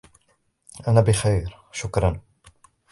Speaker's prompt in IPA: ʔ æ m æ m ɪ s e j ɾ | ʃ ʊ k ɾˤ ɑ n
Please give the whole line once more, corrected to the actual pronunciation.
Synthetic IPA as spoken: ʔ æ n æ b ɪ x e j ɾ | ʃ ʊ k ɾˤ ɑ n